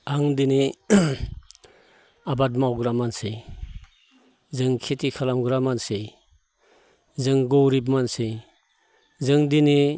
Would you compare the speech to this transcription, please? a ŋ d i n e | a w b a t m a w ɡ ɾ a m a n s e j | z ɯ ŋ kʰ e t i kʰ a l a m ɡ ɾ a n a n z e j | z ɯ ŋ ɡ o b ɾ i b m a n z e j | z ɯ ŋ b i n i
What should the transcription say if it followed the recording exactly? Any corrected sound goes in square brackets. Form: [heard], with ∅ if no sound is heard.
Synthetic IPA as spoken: a ŋ d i n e | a [∅] b a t m a w ɡ ɾ a m a n s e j | z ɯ ŋ kʰ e t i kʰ a l a m ɡ ɾ a [m] a n [s] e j | z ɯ ŋ ɡ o [w] ɾ i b m a n [s] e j | z ɯ ŋ [d] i n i